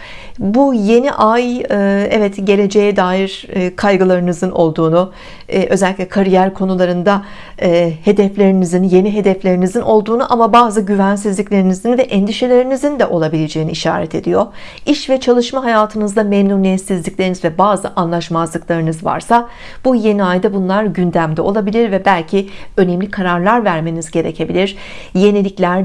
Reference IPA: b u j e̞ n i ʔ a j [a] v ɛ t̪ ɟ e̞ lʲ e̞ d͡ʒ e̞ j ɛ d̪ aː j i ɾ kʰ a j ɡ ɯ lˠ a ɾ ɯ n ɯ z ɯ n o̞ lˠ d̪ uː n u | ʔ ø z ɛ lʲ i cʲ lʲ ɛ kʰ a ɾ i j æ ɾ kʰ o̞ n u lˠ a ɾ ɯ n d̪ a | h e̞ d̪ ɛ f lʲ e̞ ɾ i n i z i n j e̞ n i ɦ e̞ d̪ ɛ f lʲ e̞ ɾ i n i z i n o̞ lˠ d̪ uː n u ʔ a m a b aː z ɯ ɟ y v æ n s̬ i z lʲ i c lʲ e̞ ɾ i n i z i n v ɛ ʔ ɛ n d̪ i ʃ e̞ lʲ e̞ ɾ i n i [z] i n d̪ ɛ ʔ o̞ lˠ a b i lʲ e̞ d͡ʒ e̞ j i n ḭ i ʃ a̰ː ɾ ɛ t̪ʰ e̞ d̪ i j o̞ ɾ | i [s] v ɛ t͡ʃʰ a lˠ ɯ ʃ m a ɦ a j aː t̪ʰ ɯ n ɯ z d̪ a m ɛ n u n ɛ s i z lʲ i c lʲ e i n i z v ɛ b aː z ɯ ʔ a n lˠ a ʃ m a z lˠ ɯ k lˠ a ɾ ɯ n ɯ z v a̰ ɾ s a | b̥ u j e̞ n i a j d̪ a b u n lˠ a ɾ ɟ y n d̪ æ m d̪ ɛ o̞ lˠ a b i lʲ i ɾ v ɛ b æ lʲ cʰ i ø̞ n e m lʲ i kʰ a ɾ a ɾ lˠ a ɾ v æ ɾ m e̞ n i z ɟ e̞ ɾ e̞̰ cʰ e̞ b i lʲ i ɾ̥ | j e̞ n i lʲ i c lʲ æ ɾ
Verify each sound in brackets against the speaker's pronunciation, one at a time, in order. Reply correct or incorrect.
incorrect, correct, incorrect

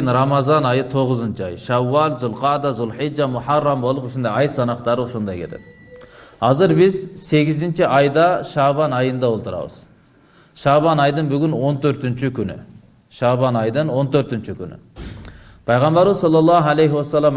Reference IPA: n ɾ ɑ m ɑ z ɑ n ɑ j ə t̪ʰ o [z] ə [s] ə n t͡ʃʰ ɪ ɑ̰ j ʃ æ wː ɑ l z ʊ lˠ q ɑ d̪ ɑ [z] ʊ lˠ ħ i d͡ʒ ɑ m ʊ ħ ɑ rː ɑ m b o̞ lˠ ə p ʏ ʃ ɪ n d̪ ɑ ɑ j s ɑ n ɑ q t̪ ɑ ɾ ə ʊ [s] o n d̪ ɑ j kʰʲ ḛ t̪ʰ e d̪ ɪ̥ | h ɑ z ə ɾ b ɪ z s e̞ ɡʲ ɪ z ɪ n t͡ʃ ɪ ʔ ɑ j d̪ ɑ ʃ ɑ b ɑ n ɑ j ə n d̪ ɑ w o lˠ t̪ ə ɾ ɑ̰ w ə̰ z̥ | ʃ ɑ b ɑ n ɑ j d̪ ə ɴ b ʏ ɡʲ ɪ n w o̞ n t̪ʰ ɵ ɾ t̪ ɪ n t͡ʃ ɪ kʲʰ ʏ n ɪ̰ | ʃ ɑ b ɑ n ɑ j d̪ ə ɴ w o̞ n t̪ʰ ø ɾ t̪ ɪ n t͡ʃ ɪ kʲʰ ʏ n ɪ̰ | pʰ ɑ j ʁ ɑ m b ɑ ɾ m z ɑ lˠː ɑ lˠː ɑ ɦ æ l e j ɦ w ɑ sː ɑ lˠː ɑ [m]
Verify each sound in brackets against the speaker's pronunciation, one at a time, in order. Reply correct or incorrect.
incorrect, incorrect, correct, incorrect, correct

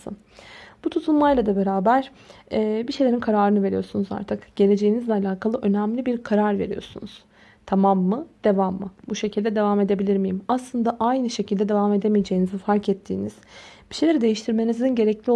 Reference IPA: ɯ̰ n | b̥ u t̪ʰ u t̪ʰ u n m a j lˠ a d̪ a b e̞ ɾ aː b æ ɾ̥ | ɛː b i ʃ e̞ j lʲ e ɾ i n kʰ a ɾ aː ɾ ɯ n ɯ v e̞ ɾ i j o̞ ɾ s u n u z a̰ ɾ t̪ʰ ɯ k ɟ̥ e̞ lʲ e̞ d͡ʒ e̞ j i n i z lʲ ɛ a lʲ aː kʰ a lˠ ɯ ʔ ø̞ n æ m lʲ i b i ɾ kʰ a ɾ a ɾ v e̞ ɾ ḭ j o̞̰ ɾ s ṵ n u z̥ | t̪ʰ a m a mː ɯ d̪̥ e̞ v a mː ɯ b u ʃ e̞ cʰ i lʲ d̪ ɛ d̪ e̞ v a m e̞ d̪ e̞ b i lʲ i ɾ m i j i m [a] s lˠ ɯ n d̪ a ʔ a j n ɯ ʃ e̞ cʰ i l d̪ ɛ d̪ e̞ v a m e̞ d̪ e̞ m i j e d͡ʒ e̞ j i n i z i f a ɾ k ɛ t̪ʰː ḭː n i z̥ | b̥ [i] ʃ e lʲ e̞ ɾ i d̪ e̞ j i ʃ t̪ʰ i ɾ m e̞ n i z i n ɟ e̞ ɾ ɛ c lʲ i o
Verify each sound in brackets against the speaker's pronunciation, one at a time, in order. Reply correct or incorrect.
correct, correct

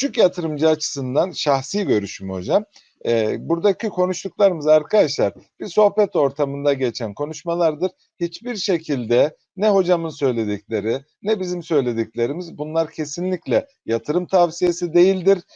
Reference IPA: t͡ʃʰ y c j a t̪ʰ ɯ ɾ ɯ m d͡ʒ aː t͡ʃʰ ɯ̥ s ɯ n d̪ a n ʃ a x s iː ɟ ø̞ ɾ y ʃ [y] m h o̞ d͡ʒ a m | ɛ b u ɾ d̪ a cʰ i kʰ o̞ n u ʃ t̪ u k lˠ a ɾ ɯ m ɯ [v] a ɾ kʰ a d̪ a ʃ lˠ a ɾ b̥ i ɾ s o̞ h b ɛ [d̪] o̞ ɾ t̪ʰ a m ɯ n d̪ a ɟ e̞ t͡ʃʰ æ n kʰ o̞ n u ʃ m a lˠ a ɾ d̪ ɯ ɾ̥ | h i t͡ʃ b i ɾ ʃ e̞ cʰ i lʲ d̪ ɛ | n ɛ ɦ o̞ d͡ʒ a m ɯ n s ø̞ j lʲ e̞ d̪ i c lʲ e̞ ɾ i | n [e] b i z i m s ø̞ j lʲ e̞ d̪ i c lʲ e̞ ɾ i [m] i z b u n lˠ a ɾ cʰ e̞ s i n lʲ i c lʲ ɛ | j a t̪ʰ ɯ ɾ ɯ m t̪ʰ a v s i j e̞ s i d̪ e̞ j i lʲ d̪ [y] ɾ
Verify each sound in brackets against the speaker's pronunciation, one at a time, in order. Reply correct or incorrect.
correct, incorrect, incorrect, incorrect, correct, incorrect

